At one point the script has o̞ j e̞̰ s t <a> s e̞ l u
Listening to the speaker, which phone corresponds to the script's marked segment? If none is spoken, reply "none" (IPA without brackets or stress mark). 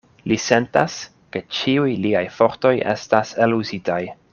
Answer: a